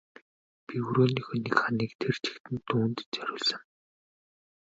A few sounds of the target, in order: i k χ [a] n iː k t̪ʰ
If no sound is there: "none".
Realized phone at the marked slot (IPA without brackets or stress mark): a